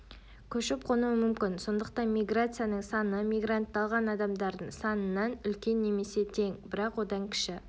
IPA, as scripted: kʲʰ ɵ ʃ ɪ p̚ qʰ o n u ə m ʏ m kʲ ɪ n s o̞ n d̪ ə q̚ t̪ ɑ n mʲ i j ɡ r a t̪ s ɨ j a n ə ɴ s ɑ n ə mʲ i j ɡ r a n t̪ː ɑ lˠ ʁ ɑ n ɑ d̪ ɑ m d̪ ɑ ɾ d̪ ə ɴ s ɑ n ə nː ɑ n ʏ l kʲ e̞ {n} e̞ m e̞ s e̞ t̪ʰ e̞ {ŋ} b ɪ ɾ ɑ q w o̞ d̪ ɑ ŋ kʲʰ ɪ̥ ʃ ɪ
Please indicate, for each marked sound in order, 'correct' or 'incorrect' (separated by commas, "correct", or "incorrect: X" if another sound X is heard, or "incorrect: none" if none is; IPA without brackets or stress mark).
incorrect: nː, correct